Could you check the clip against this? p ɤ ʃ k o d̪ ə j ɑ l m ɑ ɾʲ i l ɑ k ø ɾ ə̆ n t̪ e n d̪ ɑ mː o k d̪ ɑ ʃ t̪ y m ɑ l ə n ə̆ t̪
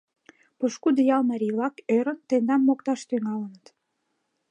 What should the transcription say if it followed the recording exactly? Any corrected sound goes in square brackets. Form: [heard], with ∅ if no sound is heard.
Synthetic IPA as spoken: p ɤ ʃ k [u] d̪ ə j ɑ l m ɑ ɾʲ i l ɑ k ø ɾ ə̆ n t̪ e n d̪ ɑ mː o k [t̪] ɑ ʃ t̪ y [ŋ] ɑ l ə n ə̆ t̪